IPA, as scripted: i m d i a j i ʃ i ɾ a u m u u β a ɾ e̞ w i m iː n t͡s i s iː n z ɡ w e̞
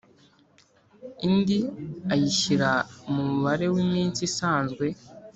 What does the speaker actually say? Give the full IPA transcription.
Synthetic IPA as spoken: i n d i a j i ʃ i ɾ a u m u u β a ɾ e̞ w i m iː n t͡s i s aː n z ɡ w e̞